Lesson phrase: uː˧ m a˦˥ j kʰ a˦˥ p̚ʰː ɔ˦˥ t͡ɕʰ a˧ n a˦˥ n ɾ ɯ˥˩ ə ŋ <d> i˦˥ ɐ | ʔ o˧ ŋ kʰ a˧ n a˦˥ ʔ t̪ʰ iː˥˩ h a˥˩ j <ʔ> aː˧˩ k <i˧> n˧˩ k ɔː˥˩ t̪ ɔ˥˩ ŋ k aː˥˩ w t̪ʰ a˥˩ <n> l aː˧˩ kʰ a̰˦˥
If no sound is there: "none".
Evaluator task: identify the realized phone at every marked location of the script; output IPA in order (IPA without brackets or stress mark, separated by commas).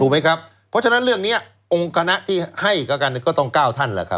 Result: n, k, a˧, n